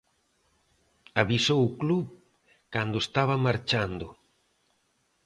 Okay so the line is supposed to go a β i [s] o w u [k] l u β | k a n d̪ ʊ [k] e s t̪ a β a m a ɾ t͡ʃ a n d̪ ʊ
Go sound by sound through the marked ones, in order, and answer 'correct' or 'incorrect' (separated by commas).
correct, correct, incorrect